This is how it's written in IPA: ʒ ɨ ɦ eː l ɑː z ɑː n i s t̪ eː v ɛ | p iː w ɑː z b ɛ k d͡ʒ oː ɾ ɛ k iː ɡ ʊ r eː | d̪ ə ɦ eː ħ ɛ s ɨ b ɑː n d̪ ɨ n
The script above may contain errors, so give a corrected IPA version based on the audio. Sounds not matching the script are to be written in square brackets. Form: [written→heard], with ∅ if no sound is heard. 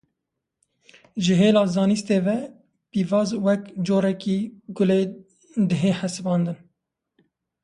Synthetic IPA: ʒ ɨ ɦ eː l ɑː z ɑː n i s t̪ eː v ɛ | p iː [w→v] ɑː z [b→w] ɛ k d͡ʒ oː ɾ ɛ k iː ɡ ʊ [r→l] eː | d̪ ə ɦ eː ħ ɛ s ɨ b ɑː n d̪ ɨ n